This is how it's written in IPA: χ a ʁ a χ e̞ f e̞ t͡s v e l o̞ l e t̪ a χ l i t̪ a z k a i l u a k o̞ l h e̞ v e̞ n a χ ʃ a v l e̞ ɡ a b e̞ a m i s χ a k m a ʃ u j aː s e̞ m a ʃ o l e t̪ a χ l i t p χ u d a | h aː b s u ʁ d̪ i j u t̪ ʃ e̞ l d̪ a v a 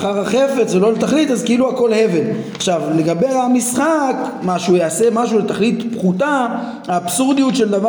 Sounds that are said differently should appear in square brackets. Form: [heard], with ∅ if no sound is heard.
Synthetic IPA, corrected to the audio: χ a ʁ a χ e̞ f e̞ t͡s v e l o̞ l e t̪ a χ l i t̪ a z k [e] i l u a k o̞ l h e̞ v e̞ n a χ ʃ a v l e̞ ɡ a b e̞ a m i s χ a k m a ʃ u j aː s e̞ m a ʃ [u] l e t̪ a χ l i t p χ u [t] a | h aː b s u ʁ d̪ i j u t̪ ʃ e̞ l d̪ a v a